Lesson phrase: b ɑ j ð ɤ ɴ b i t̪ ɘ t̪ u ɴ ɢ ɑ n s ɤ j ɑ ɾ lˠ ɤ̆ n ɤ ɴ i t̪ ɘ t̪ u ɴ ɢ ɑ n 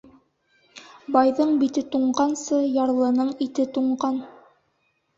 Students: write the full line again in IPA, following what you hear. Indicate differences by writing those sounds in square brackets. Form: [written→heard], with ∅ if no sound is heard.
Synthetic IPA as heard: b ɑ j ð ɤ ɴ b i t̪ ɘ t̪ u ɴ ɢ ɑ n s ɤ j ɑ ɾ lˠ ɤ̆ n ɤ ɴ i t̪ ɘ t̪ u ɴ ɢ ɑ n

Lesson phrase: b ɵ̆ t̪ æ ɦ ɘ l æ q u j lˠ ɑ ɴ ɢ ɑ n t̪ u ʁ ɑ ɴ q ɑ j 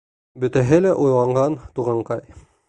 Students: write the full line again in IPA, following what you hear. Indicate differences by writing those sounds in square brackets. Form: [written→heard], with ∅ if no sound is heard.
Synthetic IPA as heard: b ɵ̆ t̪ æ ɦ ɘ l æ [q→ʔ] u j lˠ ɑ ɴ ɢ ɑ n t̪ u ʁ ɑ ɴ q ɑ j

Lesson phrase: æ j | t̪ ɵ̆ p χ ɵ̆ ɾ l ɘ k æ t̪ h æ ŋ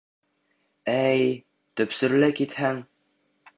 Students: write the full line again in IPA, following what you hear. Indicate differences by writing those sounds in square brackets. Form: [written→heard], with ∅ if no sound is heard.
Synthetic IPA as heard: æ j | t̪ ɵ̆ p [χ→s] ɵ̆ ɾ l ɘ k [æ→i] t̪ h æ ŋ

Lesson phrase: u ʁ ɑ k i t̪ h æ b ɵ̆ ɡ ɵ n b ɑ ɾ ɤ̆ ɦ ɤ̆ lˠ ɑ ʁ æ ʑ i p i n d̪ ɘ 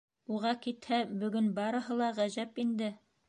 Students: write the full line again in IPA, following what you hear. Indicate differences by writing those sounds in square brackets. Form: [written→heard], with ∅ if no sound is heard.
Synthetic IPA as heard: u ʁ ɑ k i t̪ h æ b ɵ̆ ɡ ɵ n b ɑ ɾ ɤ̆ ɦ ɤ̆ lˠ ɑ ʁ æ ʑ [i→æ] p i n d̪ ɘ

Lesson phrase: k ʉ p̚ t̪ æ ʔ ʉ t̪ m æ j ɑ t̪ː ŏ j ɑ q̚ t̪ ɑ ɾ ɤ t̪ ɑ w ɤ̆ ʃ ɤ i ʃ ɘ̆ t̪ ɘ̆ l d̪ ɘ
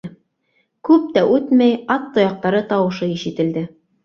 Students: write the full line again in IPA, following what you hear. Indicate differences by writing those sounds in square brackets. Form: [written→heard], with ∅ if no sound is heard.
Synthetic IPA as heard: k ʉ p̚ t̪ æ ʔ ʉ t̪ m æ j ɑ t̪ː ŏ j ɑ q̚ t̪ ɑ ɾ ɤ t̪ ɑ w ɤ̆ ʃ ɤ i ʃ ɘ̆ t̪ ɘ̆ l d̪ ɘ

